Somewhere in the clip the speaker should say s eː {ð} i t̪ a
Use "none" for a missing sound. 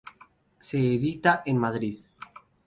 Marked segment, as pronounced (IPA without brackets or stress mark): ð